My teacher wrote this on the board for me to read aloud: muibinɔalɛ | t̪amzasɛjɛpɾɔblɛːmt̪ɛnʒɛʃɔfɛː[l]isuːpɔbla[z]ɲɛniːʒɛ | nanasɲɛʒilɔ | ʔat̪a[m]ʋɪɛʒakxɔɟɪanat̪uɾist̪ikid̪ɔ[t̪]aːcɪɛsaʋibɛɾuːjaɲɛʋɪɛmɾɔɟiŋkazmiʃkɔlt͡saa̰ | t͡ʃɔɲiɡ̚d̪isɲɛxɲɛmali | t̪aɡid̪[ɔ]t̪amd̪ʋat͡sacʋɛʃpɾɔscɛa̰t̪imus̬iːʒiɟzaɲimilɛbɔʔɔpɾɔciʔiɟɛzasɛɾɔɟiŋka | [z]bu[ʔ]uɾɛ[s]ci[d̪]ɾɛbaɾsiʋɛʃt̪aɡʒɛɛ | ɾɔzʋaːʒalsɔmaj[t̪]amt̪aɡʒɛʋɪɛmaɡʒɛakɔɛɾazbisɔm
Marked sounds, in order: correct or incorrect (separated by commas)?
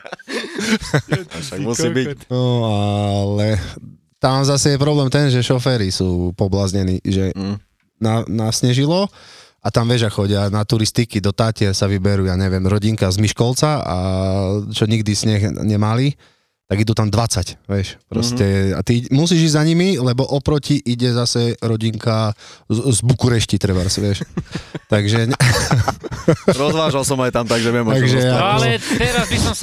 incorrect, correct, correct, correct, incorrect, correct, incorrect, incorrect, incorrect, correct